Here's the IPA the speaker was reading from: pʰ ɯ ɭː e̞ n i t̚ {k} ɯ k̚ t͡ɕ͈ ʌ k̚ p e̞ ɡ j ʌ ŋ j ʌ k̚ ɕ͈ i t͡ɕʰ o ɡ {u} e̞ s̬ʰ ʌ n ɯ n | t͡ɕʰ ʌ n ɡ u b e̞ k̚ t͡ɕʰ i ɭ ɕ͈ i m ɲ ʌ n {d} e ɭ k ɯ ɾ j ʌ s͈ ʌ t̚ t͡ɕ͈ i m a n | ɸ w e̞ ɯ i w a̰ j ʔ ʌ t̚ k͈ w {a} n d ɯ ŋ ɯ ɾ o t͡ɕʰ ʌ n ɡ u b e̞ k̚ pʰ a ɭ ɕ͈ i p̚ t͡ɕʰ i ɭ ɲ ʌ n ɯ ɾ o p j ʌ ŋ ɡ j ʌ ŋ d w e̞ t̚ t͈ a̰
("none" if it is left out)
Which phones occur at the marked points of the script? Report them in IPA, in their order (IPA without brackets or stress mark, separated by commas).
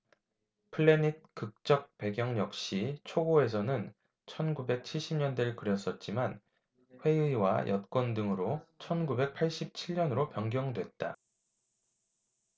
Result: k, o, d, ʌ